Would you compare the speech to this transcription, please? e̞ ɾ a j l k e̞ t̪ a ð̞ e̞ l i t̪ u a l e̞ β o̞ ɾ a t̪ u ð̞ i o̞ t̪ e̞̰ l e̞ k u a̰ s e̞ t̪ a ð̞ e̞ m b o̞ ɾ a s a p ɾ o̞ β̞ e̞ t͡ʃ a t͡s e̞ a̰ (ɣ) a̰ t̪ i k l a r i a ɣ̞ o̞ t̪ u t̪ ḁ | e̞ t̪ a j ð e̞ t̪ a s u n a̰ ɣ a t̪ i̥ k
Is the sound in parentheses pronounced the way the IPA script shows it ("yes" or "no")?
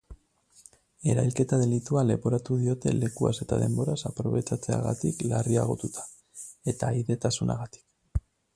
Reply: yes